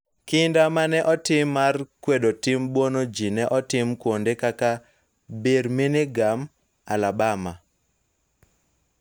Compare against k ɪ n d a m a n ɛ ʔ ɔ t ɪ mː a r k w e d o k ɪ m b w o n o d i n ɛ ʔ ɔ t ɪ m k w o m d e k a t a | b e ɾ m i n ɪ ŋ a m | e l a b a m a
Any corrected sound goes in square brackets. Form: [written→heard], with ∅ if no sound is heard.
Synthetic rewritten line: k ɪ n d a m a n ɛ ʔ ɔ t ɪ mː a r k w e d o [k→t] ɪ m b w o n o [d→d͡ʒ] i n ɛ ʔ ɔ t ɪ m k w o [m→n] d e k a [t→k] a | b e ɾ m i n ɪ [ŋ→ɡ] a m | [e→a] l a b a m a